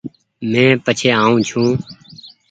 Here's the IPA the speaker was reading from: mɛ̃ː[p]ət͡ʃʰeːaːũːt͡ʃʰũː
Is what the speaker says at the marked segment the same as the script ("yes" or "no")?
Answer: yes